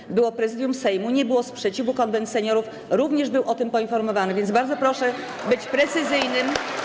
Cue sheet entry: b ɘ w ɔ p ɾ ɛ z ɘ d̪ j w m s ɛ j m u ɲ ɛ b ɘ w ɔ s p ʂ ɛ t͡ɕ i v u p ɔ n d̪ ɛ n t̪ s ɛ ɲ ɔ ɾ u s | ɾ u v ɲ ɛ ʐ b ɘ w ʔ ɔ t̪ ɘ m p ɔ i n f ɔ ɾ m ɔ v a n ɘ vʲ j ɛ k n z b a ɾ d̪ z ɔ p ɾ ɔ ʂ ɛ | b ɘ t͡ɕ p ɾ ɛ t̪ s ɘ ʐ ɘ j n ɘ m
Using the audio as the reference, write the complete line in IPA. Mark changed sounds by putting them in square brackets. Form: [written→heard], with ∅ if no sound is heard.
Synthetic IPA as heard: b ɘ w ɔ p ɾ ɛ z ɘ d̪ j [w→u] m s ɛ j m u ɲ ɛ b ɘ w ɔ s p ʂ ɛ t͡ɕ i v u [p→k] ɔ n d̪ ɛ n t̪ s ɛ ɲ ɔ ɾ u [s→f] | ɾ u v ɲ ɛ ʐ b ɘ w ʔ ɔ t̪ ɘ m p ɔ i n f ɔ ɾ m ɔ v a n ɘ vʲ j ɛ [k→∅] n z b a ɾ d̪ z ɔ p ɾ ɔ ʂ ɛ | b ɘ t͡ɕ p ɾ ɛ t̪ s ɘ [ʐ→z] ɘ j n ɘ m